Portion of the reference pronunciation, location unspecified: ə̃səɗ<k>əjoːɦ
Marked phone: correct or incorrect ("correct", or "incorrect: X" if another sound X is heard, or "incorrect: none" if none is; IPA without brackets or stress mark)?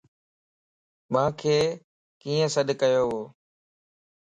correct